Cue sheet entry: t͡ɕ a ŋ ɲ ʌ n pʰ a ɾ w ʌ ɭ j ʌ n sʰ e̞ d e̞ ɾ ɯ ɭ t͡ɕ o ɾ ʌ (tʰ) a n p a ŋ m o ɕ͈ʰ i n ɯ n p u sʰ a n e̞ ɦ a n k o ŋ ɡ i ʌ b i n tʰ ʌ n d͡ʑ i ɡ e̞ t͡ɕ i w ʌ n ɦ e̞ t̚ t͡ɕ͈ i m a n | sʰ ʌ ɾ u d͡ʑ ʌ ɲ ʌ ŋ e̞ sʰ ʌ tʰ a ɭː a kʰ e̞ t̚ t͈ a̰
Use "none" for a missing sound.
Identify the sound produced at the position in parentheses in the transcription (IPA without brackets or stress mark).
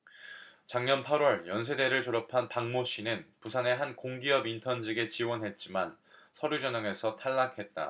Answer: pʰ